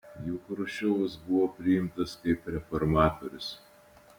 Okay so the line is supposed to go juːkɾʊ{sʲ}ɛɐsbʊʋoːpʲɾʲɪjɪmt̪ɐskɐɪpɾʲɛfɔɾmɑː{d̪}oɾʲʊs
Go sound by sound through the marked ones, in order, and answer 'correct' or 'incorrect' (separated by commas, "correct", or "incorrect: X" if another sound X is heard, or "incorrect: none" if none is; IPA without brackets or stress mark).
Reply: incorrect: ʃʲ, incorrect: t̪